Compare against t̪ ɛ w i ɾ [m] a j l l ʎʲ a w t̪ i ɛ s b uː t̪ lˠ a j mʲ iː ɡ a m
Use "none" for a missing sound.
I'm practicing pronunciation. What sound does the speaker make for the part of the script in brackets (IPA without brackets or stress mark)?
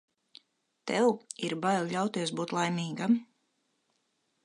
b